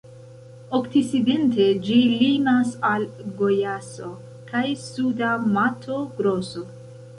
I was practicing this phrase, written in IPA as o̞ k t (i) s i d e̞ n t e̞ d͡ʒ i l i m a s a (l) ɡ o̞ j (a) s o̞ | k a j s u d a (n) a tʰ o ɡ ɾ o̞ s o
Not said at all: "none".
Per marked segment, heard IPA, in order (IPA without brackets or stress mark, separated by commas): i, l, a, m